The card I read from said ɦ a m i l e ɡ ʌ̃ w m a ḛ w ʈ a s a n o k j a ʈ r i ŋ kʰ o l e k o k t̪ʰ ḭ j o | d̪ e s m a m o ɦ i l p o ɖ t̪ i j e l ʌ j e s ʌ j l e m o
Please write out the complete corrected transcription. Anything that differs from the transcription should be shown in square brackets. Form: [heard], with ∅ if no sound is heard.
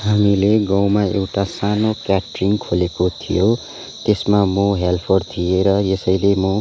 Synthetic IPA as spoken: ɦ a m i l e ɡ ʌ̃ w m a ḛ w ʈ a s a n o k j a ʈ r i ŋ kʰ o l e k o [∅] t̪ʰ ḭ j o | [t̪] e s m a m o ɦ [e] l [pʰ] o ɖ [t̪ʰ] i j e [ɾ] ʌ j e s ʌ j l e m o